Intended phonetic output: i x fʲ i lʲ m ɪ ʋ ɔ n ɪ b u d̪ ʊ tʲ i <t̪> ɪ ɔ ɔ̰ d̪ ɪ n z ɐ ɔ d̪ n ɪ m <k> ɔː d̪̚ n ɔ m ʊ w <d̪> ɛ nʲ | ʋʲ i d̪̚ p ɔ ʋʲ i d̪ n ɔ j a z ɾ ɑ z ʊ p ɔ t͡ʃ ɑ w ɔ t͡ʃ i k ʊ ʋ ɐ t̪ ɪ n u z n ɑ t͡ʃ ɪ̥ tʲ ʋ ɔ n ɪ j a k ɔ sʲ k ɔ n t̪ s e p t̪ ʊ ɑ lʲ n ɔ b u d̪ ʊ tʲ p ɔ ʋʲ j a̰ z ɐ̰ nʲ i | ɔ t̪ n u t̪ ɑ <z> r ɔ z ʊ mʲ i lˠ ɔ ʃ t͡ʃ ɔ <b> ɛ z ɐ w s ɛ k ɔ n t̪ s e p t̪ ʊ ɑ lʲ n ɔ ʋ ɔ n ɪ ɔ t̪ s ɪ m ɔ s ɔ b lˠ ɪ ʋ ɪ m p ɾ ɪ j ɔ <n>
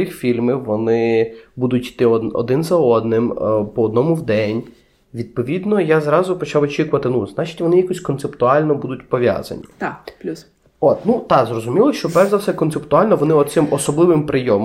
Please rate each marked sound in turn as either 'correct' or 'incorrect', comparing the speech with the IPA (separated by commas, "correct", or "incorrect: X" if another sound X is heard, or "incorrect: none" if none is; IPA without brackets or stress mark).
correct, incorrect: p, correct, correct, correct, incorrect: m